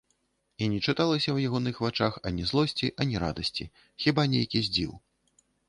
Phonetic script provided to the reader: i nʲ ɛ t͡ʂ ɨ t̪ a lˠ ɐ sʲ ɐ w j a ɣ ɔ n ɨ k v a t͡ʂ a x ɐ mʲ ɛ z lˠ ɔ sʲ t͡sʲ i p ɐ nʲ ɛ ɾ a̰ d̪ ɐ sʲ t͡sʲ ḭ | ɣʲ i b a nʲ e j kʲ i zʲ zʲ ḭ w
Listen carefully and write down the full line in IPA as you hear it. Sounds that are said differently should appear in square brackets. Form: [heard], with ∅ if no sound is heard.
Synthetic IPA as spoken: i nʲ ɛ t͡ʂ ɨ t̪ a lˠ ɐ sʲ ɐ w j a ɣ ɔ n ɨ [x] v a t͡ʂ a x ɐ [nʲ] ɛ z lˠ ɔ sʲ t͡sʲ i [ʔ] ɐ nʲ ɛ ɾ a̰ d̪ ɐ sʲ t͡sʲ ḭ | [xʲ] i b a nʲ e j kʲ i zʲ [d͡zʲ] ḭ w